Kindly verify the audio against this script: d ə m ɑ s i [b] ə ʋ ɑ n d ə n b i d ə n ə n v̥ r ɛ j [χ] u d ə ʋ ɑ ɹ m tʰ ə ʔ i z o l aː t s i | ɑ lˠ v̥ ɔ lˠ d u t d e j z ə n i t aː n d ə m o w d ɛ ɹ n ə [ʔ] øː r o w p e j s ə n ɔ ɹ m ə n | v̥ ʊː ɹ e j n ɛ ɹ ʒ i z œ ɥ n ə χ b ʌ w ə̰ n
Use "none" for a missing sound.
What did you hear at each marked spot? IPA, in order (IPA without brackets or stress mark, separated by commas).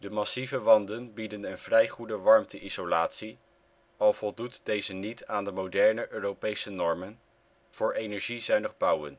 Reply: v, χ, ʔ